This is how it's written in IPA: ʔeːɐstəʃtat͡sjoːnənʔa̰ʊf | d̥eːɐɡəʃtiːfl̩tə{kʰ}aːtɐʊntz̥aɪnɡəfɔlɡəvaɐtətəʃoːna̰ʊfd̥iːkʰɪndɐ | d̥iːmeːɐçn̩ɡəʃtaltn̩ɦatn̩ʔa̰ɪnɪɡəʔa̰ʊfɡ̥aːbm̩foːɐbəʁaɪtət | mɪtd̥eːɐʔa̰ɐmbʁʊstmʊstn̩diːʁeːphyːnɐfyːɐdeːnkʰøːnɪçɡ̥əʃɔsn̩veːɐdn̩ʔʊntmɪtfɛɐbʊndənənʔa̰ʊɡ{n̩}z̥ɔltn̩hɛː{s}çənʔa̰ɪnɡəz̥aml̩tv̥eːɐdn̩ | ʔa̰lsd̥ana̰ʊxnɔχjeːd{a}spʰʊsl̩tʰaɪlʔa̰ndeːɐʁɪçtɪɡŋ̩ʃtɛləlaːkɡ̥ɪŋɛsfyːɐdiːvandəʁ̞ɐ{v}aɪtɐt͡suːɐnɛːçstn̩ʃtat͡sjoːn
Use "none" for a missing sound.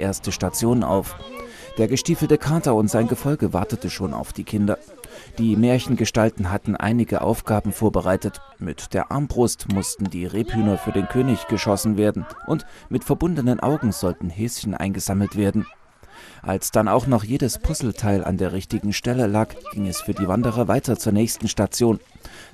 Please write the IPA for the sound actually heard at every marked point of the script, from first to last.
kʰ, ŋ̩, s, ə, v

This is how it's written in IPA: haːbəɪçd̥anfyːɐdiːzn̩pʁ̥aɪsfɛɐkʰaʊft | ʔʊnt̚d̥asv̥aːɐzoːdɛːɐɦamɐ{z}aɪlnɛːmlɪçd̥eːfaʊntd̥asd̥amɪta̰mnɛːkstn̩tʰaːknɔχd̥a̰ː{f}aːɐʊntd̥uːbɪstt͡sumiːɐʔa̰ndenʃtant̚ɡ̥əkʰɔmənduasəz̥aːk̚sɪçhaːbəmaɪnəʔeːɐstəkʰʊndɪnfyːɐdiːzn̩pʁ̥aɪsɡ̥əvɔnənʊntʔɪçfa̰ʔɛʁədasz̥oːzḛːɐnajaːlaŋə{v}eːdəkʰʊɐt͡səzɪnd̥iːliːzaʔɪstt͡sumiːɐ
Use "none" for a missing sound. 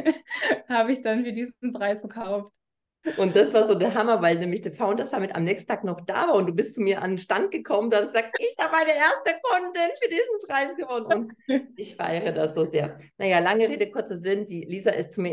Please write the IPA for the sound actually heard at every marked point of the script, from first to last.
v, v, ʁ

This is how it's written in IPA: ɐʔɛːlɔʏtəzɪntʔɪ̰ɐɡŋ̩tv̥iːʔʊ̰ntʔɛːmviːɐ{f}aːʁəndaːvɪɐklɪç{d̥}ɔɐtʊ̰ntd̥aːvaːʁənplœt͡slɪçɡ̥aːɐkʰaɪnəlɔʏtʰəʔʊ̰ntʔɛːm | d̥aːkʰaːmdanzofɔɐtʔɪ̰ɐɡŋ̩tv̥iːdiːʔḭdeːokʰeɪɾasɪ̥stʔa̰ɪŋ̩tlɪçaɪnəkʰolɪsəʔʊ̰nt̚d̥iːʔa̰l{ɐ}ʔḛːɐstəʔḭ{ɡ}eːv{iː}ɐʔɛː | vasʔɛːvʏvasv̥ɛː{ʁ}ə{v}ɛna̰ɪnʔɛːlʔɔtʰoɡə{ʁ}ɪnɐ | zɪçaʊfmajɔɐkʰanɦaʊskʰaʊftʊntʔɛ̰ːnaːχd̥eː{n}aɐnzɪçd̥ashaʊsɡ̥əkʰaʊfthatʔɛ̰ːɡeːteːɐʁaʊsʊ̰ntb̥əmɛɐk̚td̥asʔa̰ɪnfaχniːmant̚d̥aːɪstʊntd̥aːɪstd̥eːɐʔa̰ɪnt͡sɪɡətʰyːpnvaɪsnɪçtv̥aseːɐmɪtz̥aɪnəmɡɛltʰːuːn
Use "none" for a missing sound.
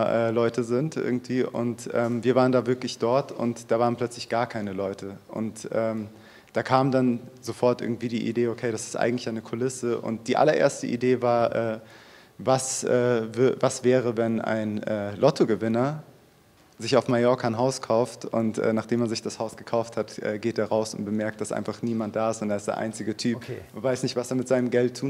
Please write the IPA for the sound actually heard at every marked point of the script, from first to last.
v, d̥, ɐ, d, aː, ʁ, v, v, m

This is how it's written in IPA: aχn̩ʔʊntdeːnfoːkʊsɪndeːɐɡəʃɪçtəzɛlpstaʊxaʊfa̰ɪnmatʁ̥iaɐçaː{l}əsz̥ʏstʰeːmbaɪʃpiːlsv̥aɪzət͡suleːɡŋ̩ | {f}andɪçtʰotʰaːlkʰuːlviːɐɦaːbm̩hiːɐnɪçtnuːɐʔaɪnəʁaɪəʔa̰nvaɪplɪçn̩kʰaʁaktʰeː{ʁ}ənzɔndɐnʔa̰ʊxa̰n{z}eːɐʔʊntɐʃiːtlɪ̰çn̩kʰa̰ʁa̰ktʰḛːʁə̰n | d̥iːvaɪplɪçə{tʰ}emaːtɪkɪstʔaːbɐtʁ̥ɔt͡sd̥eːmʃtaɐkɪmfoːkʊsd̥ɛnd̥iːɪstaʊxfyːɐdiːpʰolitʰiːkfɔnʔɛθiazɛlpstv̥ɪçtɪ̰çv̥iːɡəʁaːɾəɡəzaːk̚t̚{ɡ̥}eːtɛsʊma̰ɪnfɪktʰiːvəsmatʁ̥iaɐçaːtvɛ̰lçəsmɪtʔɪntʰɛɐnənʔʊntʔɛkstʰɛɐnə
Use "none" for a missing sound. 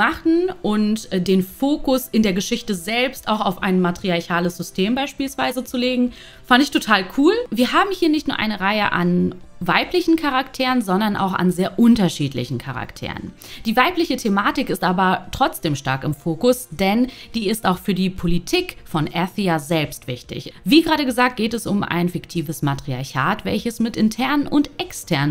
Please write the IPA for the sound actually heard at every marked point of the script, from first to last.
l, f, ʁ, z, tʰ, ɡ̥

